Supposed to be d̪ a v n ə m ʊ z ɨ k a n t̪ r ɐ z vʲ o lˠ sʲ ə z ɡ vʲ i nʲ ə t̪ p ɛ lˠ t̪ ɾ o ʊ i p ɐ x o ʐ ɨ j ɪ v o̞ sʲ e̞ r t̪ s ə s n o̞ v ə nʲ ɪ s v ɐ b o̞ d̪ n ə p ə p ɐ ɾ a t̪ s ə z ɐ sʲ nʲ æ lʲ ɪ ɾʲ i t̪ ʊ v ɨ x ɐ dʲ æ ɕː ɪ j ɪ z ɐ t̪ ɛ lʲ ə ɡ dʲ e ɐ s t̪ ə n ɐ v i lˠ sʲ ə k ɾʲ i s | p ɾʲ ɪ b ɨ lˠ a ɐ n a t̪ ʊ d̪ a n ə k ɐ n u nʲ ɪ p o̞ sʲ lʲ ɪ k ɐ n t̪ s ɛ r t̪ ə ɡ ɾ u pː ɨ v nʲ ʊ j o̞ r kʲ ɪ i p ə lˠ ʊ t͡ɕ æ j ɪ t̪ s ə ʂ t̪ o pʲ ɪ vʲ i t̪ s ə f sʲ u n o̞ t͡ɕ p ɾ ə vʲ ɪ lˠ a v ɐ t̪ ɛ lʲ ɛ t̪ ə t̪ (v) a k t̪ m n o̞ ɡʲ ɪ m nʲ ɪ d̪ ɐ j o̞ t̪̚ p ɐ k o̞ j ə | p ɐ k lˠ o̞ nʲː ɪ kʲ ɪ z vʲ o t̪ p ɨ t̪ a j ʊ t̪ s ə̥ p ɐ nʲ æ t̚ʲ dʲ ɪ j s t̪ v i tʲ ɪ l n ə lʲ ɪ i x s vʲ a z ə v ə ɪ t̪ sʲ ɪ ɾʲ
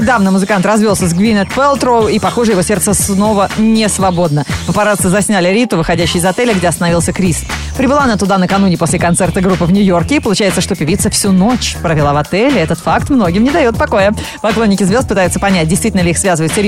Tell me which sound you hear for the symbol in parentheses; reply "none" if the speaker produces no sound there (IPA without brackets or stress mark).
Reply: f